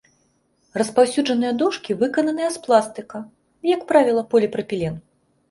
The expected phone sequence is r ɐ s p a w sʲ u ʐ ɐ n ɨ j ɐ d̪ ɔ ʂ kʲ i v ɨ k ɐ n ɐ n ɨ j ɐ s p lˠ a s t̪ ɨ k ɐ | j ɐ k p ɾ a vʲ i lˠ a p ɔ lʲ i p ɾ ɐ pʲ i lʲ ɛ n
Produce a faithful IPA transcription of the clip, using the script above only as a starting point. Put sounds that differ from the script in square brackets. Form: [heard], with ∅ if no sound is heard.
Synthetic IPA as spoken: r ɐ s p a w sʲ u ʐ ɐ n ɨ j ɐ d̪ ɔ ʂ kʲ i v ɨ k ɐ n ɐ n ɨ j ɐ s p lˠ a s t̪ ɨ k ɐ | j ɐ k p ɾ a vʲ i lˠ [ɐ] p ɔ lʲ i p ɾ ɐ pʲ i lʲ ɛ n